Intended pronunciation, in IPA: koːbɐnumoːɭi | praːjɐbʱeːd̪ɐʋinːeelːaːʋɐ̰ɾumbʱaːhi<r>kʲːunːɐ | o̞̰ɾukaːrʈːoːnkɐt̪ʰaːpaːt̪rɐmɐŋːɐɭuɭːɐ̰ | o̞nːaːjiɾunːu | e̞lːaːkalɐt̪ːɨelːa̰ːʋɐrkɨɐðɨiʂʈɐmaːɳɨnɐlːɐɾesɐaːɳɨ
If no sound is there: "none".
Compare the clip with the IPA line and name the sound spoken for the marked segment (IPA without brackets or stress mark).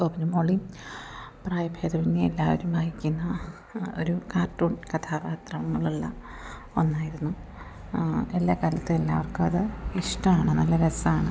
none